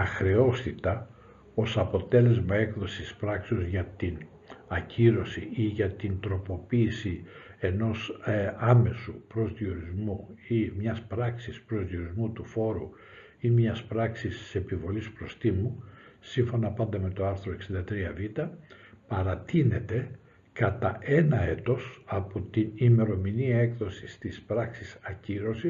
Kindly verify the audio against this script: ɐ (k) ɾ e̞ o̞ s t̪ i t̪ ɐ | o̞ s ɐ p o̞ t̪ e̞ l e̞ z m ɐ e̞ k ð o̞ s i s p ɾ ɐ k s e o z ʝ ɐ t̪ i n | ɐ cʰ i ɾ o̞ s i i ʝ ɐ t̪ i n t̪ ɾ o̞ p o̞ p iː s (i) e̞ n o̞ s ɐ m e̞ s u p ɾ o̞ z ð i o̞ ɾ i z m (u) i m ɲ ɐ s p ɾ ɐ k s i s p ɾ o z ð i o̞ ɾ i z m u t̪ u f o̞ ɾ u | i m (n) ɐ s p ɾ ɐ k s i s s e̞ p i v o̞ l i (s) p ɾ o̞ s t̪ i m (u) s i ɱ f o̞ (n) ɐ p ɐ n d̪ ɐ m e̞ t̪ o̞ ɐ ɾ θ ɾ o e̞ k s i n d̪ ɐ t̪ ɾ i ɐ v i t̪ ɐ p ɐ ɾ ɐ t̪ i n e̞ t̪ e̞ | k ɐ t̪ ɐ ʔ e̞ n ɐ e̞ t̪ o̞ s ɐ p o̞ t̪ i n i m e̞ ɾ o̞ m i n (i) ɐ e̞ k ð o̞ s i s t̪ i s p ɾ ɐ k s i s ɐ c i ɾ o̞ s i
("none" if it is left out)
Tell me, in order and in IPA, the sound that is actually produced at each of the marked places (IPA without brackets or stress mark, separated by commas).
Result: x, i, u, ɲ, s, u, n, i